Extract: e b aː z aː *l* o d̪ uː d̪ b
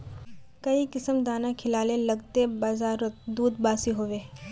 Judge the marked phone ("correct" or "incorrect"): incorrect